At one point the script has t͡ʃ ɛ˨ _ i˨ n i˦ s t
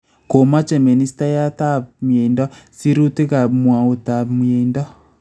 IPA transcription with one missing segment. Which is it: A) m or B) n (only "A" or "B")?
A